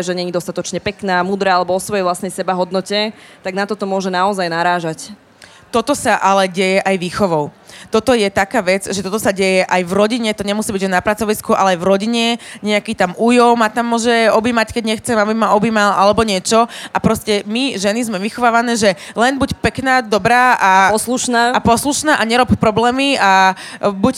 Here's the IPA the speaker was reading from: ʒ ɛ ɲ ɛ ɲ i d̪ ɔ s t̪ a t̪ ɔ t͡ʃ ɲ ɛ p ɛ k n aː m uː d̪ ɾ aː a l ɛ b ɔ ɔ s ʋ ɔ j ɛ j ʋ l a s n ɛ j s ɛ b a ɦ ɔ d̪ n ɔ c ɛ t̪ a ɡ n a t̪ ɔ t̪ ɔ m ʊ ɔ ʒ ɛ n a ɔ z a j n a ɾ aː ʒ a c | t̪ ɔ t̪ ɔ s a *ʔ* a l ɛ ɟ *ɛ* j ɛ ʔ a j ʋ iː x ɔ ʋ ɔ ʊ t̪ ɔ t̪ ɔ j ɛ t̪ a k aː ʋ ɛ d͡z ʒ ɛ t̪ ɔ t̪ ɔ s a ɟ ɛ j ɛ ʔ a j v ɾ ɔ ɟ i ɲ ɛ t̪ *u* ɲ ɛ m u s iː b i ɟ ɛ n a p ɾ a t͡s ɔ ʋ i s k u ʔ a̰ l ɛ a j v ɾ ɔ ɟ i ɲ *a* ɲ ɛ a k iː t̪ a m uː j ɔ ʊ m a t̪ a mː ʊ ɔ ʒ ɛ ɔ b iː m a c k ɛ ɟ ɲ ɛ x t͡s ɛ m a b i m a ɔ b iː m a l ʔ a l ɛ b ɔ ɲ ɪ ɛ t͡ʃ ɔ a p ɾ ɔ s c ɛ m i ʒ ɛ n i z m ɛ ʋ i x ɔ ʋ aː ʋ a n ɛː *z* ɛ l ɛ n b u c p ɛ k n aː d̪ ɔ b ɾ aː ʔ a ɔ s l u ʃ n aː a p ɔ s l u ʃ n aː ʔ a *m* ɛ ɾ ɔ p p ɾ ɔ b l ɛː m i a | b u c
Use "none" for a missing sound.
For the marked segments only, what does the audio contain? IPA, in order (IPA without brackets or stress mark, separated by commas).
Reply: ʔ, ɛ, ɔ, ɛ, ʒ, ɲ